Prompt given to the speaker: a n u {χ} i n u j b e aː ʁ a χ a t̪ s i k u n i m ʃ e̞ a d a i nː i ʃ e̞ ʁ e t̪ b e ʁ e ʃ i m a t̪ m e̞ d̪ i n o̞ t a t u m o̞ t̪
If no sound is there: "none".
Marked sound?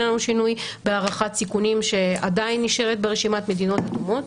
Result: ʃ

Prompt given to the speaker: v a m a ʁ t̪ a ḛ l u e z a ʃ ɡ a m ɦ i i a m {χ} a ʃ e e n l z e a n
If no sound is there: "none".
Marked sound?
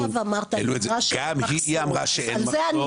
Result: ʁ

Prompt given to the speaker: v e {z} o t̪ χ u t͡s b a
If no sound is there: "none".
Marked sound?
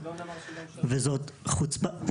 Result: z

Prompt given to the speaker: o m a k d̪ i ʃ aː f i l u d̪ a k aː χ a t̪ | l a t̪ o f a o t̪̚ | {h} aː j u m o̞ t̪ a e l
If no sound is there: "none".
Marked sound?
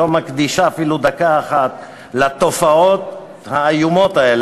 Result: h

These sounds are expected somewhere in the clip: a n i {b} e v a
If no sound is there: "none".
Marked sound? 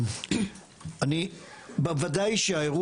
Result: b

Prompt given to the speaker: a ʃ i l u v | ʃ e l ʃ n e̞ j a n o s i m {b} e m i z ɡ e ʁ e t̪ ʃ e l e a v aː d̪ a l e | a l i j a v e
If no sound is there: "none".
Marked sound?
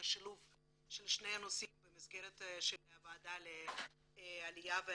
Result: b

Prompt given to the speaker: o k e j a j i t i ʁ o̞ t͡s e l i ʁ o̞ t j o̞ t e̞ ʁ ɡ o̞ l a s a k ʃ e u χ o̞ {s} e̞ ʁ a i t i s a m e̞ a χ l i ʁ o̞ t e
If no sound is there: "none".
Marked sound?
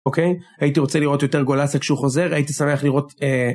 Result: z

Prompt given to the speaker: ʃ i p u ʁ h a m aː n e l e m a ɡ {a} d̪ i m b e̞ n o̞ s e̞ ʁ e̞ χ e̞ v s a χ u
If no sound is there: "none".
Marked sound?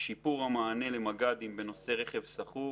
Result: a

